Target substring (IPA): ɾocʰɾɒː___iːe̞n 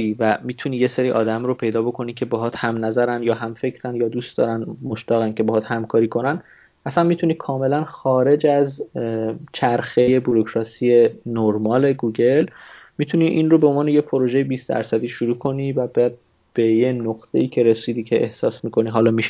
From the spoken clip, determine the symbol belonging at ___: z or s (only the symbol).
s